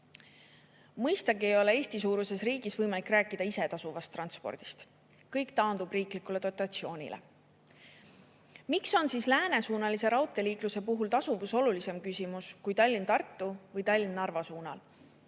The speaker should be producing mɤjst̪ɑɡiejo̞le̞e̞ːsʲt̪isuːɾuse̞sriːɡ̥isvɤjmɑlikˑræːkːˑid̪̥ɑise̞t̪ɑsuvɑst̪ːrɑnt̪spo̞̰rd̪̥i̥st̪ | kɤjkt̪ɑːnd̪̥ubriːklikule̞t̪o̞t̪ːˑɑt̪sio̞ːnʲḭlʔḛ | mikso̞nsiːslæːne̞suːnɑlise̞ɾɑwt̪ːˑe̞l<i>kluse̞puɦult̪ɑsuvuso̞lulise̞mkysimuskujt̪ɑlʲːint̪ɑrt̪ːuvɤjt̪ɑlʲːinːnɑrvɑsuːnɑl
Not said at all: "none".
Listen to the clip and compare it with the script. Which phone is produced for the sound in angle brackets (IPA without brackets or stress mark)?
iː